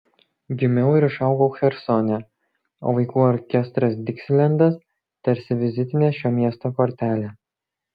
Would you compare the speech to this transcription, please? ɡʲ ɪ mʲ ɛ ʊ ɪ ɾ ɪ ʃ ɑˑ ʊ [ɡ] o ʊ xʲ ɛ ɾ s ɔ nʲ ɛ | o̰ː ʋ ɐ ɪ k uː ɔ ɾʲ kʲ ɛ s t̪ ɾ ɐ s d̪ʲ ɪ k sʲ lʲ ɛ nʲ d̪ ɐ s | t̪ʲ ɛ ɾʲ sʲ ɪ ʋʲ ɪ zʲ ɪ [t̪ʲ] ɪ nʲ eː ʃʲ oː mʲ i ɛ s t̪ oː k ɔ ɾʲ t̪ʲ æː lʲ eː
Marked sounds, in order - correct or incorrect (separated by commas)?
correct, correct